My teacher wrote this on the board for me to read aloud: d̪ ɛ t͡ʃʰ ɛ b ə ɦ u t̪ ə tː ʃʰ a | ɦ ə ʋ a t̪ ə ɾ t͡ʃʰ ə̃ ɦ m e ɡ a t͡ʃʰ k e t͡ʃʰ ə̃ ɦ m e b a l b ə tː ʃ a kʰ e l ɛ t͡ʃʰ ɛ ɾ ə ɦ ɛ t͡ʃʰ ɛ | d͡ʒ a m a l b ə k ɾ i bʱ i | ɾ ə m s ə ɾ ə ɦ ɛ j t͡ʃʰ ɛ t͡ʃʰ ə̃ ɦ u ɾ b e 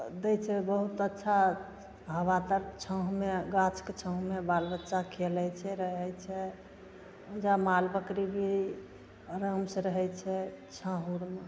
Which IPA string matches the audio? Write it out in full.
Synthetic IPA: d̪ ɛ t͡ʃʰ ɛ b ə ɦ u t̪ ə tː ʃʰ a | ɦ ə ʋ a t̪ ə ɾ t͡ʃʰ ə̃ ɦ m e ɡ a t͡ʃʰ k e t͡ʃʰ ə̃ ɦ m e b a l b ə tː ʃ a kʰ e l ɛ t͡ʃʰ ɛ ɾ ə ɦ ɛ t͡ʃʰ ɛ | d͡ʒ a m a l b ə k ɾ i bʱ i | ɾ ə m s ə ɾ ə ɦ ɛ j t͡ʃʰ ɛ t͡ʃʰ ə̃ ɦ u ɾ m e